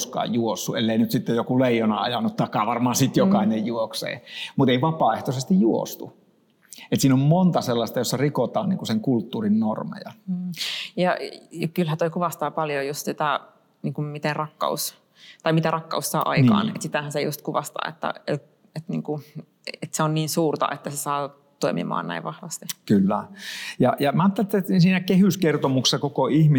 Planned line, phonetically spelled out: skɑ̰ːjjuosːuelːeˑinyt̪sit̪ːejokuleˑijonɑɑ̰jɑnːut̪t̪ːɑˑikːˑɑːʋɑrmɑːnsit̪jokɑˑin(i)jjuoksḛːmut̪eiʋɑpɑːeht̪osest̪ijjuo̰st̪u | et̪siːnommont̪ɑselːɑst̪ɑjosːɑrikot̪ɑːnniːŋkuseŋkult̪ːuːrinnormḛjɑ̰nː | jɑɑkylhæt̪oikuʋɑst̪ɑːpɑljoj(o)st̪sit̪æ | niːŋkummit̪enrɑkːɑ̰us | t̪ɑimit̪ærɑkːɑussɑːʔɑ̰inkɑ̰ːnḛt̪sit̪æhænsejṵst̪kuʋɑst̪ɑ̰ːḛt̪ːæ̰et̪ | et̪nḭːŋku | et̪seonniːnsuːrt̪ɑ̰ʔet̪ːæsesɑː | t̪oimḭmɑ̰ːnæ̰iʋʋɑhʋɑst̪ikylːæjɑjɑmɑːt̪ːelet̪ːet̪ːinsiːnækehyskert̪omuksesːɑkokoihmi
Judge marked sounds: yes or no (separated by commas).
no, no